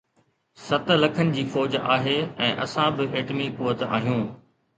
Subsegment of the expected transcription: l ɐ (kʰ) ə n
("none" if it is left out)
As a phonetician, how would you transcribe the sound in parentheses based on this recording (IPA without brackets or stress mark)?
kʰ